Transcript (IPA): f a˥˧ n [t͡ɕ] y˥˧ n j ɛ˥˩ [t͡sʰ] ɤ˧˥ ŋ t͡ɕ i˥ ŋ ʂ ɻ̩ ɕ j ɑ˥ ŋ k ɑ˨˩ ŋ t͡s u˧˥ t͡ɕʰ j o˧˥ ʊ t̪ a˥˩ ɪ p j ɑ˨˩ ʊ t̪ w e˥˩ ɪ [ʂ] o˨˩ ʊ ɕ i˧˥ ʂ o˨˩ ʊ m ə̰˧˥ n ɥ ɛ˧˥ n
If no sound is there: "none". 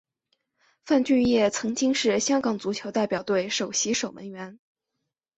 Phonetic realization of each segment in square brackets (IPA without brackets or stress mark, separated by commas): t͡ɕ, t͡sʰ, ʂ